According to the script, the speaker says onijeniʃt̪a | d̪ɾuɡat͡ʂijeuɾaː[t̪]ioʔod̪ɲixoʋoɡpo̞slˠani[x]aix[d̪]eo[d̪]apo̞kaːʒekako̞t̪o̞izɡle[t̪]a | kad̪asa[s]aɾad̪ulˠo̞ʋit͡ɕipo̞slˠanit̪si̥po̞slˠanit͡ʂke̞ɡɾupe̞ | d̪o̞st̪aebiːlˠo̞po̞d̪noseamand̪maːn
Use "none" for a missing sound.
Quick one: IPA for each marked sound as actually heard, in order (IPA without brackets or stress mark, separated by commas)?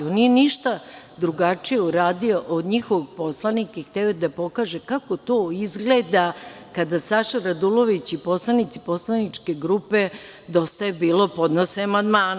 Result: d̪, k, t̪, d̪, d̪, ʃ